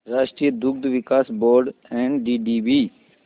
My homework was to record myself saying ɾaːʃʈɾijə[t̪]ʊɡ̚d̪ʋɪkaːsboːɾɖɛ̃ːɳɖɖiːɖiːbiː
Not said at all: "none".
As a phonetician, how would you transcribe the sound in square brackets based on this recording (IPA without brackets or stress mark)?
d̪